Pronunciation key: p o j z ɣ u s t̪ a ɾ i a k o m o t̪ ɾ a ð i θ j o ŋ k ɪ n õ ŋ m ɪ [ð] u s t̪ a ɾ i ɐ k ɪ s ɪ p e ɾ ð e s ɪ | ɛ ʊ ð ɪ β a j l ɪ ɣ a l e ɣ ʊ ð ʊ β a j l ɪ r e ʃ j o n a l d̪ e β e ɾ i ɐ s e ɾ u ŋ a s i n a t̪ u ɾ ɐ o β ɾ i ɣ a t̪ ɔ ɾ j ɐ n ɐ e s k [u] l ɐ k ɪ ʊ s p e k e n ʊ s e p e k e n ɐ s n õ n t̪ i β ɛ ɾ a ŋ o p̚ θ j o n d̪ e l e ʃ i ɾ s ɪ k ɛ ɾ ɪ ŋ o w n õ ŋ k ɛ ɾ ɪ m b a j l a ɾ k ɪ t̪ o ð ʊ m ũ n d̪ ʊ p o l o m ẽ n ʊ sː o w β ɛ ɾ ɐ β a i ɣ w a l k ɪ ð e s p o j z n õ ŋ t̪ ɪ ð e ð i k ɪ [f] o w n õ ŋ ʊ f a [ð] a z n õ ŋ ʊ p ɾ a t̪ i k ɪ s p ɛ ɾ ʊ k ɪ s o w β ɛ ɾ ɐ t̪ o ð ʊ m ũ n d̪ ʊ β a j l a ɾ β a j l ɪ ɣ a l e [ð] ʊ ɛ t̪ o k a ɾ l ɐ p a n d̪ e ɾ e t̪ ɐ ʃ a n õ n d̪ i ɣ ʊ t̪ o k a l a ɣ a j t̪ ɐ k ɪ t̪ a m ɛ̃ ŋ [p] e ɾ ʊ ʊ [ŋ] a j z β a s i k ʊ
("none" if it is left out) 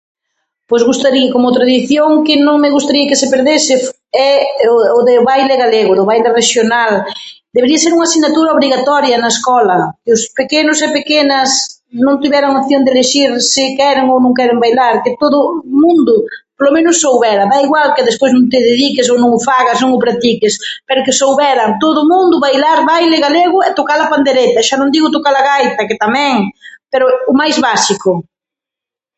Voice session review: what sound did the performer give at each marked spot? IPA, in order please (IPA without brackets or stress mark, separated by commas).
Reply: ɣ, ɔ, s, ɣ, ɣ, p, m